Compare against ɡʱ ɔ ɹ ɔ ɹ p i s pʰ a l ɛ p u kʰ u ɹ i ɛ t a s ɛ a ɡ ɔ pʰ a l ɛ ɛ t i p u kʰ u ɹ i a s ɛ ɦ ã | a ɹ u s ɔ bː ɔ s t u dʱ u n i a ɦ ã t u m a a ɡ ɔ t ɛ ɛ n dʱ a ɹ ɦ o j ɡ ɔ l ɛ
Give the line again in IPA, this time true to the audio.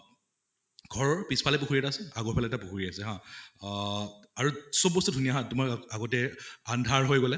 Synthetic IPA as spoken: ɡʱ ɔ ɹ ɔ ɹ p i s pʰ a l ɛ p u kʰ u ɹ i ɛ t a s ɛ a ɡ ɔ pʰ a l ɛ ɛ t a p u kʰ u ɹ i a s ɛ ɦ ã | a ɹ u s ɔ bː ɔ s t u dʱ u n i a ɦ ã t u m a a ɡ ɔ t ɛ a n dʱ a ɹ ɦ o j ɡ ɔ l ɛ